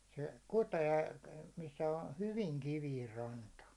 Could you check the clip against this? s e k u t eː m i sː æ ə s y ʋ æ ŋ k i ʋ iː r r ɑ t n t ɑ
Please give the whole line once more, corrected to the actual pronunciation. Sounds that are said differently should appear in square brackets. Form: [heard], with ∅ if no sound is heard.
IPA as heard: s e k u t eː m i sː æ ə [h] y ʋ [i] ŋ k i ʋ iː r r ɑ [∅] n t ɑ